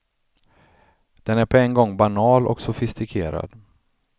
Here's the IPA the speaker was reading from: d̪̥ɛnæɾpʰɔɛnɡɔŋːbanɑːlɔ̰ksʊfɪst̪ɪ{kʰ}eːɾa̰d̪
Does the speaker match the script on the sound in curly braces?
yes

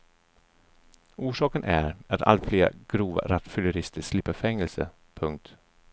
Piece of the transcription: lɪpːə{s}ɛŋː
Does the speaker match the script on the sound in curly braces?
no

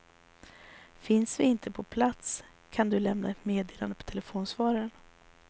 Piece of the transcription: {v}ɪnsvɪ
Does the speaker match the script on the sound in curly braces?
no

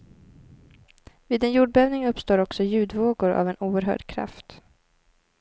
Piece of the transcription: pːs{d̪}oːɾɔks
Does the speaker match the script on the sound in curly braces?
no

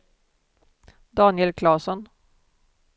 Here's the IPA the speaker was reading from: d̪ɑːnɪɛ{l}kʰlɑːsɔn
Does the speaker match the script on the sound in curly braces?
yes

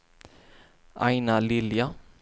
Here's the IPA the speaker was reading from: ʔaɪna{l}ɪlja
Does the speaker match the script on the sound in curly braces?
yes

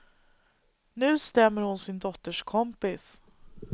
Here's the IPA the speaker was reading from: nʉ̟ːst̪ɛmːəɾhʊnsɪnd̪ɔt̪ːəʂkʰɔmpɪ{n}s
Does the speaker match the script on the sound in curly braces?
no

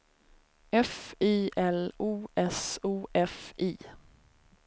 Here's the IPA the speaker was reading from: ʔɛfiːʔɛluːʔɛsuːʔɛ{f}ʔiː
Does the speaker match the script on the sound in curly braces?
yes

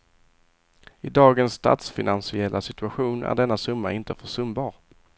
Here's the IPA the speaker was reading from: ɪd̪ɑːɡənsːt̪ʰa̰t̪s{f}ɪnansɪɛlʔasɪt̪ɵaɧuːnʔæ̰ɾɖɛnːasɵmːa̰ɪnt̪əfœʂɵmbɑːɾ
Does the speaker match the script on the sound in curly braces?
yes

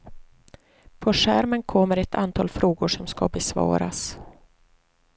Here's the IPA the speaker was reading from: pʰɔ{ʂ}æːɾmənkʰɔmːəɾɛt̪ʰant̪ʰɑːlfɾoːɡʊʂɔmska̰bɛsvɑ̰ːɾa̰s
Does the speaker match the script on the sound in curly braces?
yes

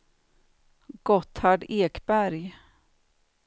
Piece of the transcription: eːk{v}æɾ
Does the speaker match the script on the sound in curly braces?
no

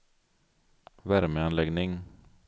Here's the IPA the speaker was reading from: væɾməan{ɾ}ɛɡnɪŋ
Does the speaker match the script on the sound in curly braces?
no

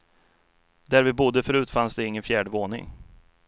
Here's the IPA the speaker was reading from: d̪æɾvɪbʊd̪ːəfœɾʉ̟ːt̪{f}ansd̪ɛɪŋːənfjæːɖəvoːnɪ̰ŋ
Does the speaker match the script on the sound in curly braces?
yes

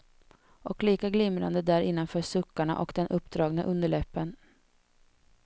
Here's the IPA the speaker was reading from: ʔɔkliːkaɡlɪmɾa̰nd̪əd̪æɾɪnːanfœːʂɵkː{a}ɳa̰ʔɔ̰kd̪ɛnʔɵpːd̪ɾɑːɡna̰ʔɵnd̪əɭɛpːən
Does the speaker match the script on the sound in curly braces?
yes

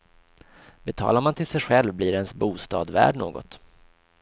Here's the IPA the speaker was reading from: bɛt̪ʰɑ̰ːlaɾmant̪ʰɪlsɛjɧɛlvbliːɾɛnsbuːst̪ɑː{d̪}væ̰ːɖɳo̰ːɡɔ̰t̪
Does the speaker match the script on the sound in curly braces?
yes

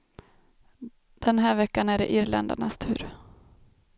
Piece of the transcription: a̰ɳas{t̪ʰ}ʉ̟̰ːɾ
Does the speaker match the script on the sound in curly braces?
yes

